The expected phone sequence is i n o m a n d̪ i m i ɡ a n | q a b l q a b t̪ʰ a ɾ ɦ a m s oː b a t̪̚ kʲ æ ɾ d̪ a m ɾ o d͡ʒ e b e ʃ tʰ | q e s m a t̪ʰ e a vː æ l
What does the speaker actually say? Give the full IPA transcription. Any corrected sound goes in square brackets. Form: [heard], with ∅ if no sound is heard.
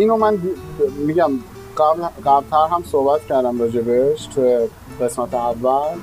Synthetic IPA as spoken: i n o m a n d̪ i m i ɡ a [m] | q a b l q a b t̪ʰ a ɾ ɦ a m s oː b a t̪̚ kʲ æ ɾ d̪ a m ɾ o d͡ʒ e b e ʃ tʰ | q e s m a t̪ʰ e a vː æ l